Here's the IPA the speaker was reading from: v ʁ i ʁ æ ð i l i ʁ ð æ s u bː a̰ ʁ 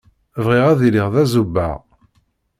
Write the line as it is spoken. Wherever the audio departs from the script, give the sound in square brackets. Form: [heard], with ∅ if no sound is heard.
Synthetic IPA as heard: v ʁ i ʁ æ ð i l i ʁ ð æ [z] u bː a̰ ʁ